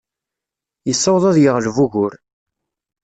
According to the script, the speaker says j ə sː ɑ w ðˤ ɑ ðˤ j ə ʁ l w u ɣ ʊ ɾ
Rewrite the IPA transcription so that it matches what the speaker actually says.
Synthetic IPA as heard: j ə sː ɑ w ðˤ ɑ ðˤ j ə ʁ l v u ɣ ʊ ɾ